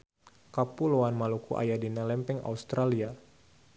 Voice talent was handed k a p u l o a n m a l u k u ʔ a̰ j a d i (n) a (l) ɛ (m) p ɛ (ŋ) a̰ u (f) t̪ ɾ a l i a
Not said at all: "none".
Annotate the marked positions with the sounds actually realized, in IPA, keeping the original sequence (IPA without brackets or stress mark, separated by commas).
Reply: n, l, m, ŋ, s